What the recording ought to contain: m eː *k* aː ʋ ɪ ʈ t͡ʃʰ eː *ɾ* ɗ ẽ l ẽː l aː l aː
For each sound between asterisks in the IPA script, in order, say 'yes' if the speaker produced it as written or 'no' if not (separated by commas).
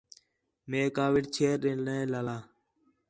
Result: yes, yes